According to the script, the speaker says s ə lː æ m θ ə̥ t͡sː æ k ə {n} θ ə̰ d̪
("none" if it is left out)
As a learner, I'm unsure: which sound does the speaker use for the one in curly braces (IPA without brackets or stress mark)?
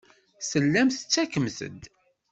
m